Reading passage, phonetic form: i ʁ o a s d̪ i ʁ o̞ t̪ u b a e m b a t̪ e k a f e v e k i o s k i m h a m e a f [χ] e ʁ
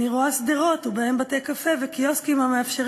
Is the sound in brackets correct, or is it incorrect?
incorrect